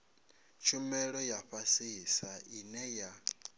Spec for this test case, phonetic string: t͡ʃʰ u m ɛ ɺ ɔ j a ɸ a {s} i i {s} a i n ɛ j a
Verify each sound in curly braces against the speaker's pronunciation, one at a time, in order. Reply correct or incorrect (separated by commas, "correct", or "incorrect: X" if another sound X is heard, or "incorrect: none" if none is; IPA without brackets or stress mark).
correct, correct